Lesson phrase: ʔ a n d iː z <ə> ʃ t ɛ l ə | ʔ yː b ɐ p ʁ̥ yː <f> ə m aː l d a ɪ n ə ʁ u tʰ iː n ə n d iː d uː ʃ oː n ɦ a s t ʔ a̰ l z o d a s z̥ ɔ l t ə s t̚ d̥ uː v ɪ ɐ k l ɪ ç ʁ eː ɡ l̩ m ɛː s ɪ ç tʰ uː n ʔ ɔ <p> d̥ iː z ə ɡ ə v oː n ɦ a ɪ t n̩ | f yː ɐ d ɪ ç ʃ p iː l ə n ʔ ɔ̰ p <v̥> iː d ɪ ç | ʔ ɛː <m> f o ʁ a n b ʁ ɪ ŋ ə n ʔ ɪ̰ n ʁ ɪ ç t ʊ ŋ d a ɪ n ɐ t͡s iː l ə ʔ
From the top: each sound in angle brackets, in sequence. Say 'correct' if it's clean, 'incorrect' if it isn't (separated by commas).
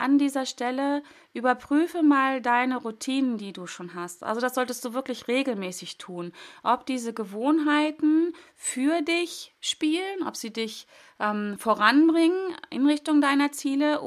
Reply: incorrect, correct, correct, incorrect, correct